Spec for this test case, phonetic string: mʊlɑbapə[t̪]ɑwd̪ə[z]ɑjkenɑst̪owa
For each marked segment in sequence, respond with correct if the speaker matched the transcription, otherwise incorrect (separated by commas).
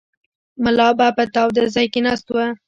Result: correct, correct